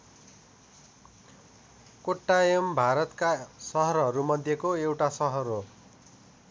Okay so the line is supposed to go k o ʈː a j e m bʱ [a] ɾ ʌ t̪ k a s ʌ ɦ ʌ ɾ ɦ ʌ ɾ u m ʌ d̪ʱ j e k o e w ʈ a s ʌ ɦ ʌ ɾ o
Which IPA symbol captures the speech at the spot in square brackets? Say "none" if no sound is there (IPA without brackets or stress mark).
a